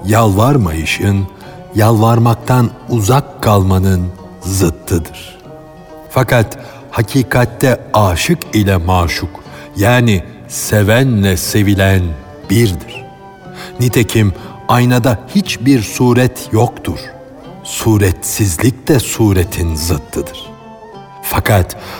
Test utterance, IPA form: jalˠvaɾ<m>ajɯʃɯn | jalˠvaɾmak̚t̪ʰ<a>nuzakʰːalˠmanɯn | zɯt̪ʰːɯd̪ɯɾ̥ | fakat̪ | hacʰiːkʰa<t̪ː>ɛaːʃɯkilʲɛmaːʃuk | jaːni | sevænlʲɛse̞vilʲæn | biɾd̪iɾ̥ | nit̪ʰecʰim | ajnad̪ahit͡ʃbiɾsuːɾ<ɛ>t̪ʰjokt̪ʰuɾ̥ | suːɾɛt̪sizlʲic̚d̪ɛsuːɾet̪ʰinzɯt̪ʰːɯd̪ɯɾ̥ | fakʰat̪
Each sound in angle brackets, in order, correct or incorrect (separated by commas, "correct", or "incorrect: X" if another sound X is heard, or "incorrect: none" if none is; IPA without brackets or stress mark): correct, correct, correct, correct